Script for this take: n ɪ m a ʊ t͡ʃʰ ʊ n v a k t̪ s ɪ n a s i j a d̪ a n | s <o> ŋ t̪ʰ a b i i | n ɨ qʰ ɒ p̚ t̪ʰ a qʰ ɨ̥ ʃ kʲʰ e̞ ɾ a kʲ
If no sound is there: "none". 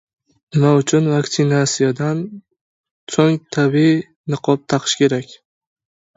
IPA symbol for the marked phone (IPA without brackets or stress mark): o